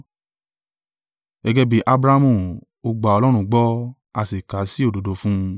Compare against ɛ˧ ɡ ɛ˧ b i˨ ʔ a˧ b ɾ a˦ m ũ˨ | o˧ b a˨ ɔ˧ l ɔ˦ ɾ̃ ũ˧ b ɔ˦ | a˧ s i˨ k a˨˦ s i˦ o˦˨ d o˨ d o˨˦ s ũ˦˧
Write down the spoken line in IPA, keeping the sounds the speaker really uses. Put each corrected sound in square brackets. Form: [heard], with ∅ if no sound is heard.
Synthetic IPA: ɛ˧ ɡ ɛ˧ b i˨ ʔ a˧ b ɾ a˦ m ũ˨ | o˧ [ɡ͡b] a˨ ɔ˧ l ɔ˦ ɾ̃ ũ˧ [ɡ͡b] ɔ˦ | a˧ s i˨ k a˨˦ s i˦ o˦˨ d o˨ d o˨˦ [f] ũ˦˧